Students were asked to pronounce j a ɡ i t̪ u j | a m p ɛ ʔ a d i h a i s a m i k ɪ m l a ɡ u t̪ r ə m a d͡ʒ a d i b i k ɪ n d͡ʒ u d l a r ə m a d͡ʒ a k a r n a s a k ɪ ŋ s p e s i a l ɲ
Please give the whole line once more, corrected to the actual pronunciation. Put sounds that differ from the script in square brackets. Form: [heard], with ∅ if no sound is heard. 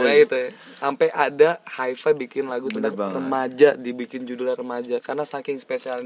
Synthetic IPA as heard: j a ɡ i t̪ u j | a m p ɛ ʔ a d [a] h a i [f] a [b] i k ɪ [n] l a ɡ u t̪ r ə m a d͡ʒ a d i b i k ɪ n d͡ʒ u d l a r ə m a d͡ʒ a k a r n a s a k ɪ ŋ s p e s i a l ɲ